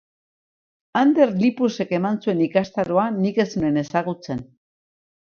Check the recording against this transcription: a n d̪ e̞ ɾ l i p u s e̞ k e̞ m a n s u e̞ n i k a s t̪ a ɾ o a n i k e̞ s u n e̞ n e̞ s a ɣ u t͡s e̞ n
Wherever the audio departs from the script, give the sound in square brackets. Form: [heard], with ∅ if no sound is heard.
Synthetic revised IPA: a n d̪ e̞ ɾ l i p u s e̞ k e̞ m a n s u e̞ n i k a s t̪ a ɾ o a n i k e̞ s u n e̞ n e̞ s a ɣ u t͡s e̞ n